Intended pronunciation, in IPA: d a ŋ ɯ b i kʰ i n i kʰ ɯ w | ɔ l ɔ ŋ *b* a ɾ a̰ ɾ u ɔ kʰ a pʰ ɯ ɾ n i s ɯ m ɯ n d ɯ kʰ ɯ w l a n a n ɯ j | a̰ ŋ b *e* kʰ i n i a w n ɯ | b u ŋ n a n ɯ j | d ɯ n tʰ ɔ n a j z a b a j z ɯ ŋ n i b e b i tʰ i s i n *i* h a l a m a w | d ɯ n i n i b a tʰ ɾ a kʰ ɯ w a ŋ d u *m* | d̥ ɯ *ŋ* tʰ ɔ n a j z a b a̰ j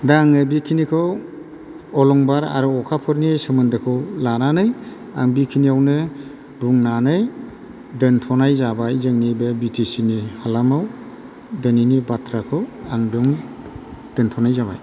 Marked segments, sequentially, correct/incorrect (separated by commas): correct, incorrect, correct, incorrect, incorrect